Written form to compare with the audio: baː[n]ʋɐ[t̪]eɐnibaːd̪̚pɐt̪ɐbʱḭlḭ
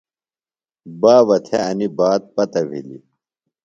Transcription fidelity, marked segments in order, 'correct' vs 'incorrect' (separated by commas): incorrect, incorrect